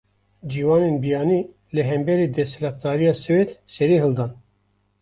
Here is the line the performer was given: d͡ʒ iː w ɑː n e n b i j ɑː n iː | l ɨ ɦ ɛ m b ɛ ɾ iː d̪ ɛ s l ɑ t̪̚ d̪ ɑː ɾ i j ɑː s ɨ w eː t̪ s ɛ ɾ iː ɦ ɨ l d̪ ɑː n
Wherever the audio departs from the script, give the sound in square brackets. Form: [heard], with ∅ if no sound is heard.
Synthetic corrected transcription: d͡ʒ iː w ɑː n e n b i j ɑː n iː | l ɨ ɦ ɛ m b ɛ ɾ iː d̪ ɛ s l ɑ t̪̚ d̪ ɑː ɾ i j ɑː s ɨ w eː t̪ s ɛ ɾ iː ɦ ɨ l d̪ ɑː n